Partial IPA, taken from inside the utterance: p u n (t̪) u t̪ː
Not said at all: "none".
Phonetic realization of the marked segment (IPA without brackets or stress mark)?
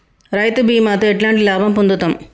d̪